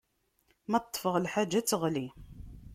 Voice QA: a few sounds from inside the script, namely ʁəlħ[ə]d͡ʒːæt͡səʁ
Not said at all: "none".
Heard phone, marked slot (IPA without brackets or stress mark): a